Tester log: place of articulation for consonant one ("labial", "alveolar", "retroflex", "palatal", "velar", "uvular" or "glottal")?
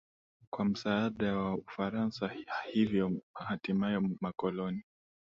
velar